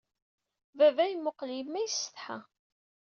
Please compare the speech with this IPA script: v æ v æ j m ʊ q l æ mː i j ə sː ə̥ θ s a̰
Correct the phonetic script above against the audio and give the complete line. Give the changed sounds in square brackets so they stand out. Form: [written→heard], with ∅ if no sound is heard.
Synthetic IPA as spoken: v æ v æ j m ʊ q l [æ→i] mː [i→æ] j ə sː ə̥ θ [s→ħ] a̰